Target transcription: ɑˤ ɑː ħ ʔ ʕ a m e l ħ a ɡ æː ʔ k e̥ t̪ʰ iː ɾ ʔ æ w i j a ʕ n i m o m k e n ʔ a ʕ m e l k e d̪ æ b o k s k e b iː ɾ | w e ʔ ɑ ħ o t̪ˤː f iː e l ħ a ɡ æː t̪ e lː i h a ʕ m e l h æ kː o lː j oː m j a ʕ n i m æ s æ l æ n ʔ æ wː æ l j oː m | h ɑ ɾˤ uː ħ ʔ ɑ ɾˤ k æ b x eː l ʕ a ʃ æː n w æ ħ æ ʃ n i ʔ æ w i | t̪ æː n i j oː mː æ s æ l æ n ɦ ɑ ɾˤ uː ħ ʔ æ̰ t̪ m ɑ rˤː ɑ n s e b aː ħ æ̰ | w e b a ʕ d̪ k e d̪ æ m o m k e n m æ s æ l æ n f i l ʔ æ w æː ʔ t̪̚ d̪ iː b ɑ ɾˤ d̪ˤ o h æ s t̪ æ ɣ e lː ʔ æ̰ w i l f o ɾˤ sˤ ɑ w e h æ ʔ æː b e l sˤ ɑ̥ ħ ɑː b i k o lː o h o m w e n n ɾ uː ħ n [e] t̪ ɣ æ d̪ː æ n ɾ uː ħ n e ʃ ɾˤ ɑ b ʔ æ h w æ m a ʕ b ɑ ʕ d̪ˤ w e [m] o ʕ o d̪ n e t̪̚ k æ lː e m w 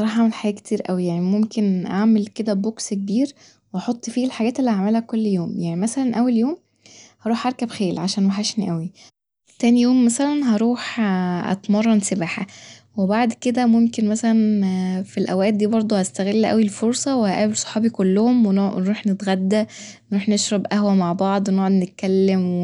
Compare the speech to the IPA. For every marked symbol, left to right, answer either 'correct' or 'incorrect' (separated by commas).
correct, incorrect